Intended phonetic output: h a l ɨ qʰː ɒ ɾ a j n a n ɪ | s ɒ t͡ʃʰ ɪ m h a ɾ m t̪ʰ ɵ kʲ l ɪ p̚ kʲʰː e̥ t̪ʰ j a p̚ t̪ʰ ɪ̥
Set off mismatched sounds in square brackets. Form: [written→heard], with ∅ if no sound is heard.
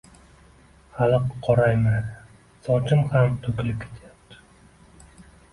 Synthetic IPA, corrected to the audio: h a l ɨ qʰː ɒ ɾ a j [n→m] a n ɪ | s ɒ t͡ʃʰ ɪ m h a [ɾ→∅] m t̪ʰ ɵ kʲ l ɪ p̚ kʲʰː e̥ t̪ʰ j a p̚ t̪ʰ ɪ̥